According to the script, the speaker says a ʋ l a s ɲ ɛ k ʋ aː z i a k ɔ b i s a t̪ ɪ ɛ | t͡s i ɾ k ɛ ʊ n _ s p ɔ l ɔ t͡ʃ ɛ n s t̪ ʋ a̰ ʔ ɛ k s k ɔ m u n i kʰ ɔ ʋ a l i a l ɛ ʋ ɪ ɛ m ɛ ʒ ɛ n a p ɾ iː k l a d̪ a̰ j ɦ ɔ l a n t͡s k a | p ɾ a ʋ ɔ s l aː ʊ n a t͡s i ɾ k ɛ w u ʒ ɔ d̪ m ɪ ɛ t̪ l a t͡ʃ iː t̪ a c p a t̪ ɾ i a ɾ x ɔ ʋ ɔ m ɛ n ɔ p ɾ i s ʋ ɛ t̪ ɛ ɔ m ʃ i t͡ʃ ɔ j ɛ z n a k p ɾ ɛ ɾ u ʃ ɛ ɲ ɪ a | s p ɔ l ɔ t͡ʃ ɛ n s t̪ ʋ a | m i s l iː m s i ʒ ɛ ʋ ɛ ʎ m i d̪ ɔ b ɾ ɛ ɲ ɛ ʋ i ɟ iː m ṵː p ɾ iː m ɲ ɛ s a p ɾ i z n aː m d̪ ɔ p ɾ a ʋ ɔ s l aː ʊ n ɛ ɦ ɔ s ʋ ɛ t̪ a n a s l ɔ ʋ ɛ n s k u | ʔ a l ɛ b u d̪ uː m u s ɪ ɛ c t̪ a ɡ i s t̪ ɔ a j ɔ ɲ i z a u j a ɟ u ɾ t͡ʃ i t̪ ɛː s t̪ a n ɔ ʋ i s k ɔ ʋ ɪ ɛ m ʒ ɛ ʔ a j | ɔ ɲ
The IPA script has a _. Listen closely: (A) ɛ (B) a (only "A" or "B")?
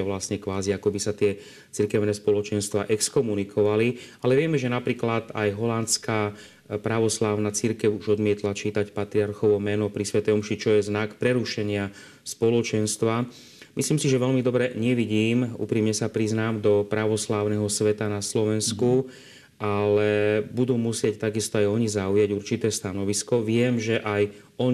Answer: A